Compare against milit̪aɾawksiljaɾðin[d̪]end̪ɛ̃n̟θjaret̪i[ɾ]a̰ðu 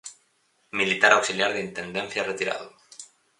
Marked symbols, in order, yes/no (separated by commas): no, yes